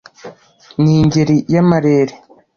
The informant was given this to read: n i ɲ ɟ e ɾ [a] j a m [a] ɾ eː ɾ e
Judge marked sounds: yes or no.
no, yes

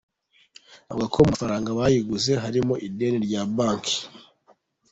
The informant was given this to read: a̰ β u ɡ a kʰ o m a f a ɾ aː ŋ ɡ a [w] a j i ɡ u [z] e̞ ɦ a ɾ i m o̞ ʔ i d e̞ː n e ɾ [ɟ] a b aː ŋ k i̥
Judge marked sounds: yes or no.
no, yes, yes

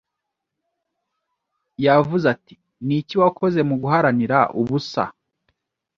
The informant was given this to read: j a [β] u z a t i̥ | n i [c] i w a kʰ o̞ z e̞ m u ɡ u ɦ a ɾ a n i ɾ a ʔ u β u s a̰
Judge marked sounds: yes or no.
no, yes

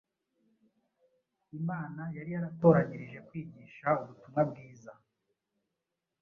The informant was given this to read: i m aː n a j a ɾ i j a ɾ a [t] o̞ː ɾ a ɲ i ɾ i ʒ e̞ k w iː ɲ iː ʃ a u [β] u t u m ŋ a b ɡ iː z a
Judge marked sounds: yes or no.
yes, yes

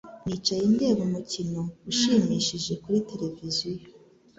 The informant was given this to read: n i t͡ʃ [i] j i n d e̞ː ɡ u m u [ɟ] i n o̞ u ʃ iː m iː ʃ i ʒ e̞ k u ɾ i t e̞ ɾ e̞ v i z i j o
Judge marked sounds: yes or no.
no, no

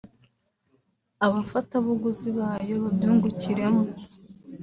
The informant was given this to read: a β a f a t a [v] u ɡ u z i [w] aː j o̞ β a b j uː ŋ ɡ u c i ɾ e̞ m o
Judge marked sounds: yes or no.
no, no

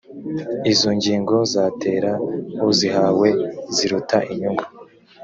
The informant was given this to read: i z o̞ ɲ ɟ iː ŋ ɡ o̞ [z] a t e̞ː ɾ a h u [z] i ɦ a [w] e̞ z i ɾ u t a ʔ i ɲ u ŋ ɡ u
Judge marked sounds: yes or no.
yes, yes, yes

